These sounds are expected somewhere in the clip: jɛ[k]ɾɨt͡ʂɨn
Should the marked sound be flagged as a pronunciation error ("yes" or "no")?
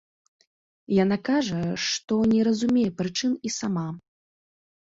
yes